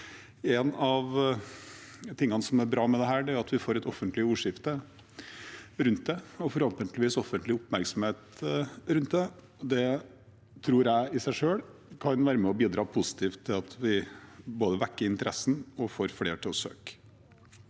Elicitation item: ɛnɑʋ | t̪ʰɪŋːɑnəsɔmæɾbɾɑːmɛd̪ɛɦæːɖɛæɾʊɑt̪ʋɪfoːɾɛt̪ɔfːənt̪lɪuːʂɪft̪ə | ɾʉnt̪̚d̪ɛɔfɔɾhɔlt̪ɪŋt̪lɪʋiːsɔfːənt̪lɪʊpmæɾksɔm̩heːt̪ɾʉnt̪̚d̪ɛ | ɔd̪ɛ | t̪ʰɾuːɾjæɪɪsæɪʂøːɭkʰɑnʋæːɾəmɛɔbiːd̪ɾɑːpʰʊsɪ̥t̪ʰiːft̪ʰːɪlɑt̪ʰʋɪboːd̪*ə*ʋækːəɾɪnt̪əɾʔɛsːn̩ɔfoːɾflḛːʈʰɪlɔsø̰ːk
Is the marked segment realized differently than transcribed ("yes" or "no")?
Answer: no